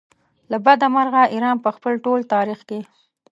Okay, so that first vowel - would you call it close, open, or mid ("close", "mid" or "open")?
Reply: open